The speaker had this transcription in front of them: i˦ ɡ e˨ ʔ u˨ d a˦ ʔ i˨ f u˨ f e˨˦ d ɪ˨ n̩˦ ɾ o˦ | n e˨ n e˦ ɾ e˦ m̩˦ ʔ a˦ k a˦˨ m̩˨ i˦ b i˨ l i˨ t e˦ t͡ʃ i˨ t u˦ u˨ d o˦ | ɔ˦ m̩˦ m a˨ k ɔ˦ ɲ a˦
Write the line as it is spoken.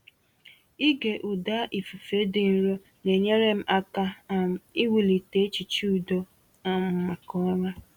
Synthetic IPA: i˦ ɡ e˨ ʔ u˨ d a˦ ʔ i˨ f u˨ f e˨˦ d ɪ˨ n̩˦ ɾ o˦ | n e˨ ɲ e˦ ɾ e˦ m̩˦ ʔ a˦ k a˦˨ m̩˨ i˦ w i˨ l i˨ t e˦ t͡ʃ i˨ t͡ʃ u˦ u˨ d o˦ | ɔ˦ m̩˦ m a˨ k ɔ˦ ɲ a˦